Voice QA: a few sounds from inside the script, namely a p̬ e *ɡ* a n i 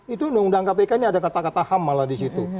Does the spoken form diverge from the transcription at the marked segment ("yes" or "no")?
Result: yes